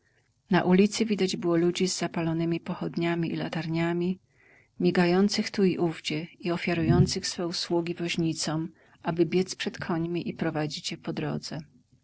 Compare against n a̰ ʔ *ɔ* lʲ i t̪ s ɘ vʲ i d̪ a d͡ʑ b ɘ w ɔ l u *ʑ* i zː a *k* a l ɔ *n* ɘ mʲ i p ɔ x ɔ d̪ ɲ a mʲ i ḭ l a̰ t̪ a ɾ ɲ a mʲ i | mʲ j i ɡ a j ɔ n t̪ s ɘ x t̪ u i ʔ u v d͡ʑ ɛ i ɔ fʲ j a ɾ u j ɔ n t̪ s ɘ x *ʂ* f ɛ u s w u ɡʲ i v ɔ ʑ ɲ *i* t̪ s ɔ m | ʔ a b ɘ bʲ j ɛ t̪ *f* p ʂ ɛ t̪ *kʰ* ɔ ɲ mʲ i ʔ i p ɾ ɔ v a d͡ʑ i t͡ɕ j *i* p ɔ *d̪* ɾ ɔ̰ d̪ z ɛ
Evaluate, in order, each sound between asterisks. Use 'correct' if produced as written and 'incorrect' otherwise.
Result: incorrect, incorrect, incorrect, correct, incorrect, correct, incorrect, correct, incorrect, correct

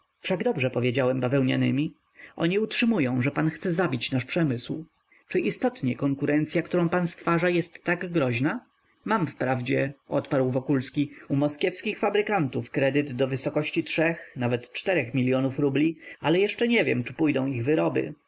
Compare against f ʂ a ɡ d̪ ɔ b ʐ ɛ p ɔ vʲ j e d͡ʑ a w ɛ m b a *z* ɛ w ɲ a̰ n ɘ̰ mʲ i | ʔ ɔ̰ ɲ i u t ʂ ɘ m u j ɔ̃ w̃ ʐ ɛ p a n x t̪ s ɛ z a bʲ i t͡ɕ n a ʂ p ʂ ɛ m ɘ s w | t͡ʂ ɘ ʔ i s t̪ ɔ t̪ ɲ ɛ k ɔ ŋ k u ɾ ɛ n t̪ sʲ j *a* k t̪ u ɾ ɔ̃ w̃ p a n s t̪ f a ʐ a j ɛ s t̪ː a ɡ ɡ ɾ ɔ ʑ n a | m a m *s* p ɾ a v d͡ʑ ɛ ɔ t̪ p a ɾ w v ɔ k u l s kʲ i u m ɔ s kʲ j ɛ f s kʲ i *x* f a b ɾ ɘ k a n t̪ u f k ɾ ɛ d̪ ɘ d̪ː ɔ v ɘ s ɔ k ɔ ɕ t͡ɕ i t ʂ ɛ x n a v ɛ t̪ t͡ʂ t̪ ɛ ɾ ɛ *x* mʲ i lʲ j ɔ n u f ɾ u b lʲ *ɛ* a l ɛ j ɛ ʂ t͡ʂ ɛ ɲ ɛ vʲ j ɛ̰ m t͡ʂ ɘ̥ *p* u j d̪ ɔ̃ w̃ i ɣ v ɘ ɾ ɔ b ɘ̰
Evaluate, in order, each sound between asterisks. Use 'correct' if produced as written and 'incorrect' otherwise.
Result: incorrect, correct, incorrect, correct, correct, incorrect, correct

